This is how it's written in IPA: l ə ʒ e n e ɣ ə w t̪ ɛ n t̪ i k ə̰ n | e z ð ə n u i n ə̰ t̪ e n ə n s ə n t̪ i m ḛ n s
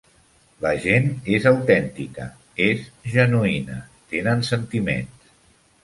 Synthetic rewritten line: l ə ʒ e n e z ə w t̪ ɛ n t̪ i k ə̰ | e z ʒ ə n u i n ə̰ t̪ e n ə n s ə n t̪ i m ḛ n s